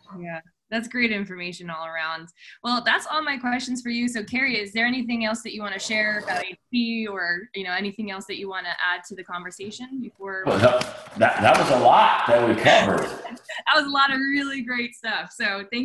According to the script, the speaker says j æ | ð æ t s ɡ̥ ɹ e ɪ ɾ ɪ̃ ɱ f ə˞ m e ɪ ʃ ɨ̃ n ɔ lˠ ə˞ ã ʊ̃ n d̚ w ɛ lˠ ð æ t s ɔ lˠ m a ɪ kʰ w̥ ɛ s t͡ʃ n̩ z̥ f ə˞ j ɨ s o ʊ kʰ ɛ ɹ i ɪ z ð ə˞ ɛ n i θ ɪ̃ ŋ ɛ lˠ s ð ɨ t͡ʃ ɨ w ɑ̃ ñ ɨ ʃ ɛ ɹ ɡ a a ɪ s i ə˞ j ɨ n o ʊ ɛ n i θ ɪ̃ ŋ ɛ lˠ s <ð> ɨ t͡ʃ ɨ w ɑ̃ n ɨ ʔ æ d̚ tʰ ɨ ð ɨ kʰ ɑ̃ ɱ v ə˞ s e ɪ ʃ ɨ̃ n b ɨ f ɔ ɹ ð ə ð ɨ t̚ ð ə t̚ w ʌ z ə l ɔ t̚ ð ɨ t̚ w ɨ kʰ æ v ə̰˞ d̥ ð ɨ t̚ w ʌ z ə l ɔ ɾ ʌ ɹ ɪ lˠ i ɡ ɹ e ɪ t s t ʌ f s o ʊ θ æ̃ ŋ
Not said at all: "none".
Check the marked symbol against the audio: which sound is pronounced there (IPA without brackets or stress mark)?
ð